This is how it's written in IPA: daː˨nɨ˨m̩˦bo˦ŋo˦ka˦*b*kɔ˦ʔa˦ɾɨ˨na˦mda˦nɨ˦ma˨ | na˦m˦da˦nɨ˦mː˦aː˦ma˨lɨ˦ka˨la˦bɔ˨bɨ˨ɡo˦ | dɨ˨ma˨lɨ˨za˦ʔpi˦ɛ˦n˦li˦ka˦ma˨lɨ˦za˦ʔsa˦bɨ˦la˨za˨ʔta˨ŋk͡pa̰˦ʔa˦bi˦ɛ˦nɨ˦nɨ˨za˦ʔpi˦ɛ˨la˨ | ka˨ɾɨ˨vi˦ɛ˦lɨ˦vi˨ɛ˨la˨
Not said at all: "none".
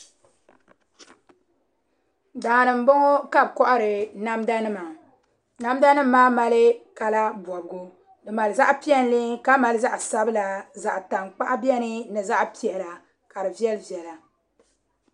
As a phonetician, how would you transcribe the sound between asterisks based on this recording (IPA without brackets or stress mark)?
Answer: b